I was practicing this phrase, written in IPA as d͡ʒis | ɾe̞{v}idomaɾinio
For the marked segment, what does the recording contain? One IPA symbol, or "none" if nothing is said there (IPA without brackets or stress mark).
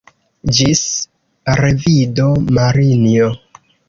v